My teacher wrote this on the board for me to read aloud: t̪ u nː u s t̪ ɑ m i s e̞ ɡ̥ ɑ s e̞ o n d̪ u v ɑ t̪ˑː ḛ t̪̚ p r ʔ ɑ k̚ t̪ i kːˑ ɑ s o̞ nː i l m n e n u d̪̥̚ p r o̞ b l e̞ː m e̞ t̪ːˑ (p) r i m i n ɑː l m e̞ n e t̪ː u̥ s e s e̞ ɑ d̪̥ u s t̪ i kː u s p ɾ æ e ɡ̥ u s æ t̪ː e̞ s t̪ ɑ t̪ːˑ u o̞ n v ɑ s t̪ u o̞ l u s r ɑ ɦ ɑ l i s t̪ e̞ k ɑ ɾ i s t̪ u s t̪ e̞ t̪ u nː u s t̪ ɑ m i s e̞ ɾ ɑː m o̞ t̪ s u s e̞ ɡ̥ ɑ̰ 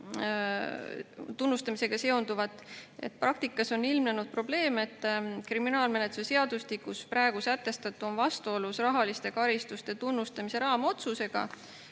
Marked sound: incorrect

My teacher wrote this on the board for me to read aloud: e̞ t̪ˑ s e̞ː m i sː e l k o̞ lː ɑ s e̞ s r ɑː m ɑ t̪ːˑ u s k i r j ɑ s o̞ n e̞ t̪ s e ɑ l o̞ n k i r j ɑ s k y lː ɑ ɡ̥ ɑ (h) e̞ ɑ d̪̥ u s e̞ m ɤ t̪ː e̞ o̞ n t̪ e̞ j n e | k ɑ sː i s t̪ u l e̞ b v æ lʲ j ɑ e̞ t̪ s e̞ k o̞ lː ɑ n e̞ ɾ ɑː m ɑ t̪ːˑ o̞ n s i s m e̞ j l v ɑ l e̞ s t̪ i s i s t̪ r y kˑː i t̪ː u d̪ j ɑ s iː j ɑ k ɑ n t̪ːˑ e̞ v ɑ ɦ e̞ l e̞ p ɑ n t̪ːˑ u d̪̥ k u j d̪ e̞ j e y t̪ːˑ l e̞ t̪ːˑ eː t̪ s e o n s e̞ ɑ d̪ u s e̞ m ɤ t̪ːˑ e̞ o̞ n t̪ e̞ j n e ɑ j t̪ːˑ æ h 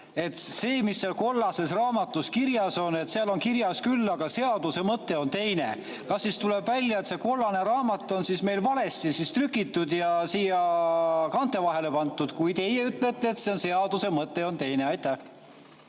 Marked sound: incorrect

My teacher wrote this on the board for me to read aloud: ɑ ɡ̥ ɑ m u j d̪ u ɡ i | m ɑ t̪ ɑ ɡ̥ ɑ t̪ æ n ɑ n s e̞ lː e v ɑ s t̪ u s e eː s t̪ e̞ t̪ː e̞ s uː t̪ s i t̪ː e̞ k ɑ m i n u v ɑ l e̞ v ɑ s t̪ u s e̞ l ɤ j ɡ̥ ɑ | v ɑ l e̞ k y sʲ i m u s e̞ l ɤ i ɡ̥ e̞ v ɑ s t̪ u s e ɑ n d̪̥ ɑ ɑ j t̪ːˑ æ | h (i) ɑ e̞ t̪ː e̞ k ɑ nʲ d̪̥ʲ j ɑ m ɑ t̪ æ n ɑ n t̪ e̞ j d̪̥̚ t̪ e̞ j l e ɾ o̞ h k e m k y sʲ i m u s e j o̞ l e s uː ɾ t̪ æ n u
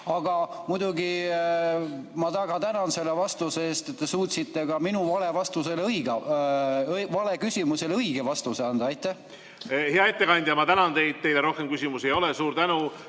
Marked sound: incorrect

